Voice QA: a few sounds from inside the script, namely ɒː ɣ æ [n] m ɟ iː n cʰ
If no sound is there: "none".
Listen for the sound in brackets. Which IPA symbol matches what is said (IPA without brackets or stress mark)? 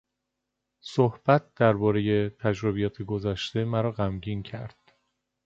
none